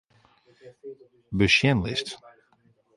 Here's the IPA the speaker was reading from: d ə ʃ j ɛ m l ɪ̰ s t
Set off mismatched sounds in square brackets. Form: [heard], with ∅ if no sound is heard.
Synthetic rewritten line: [b] ə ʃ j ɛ [n] l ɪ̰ s t